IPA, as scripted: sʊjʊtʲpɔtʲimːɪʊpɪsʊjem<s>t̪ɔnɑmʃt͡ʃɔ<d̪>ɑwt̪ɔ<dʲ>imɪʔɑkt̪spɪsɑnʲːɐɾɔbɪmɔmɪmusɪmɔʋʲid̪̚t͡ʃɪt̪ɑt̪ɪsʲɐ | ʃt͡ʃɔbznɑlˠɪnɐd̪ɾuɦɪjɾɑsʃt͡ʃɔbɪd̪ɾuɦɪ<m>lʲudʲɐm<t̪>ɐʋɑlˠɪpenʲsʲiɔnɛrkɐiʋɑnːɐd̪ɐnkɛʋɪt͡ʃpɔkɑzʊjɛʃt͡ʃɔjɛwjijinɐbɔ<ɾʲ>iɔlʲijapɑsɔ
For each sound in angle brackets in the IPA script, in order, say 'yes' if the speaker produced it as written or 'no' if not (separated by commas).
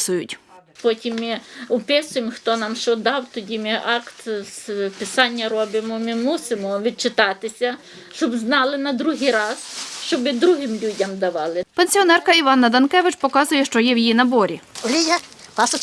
no, yes, yes, yes, no, yes